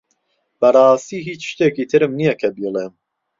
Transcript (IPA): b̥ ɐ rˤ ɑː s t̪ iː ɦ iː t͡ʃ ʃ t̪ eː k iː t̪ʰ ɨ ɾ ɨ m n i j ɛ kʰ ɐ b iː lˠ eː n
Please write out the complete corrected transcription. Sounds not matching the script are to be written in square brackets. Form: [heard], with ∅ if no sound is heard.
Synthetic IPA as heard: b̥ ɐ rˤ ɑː s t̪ iː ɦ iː t͡ʃ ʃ t̪ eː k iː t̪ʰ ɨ ɾ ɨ m n i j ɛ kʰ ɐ b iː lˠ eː [m]